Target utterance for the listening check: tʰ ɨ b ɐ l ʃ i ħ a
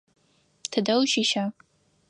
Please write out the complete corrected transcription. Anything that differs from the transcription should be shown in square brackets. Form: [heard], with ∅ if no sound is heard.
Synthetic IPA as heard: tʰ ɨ [d] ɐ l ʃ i [ʃ] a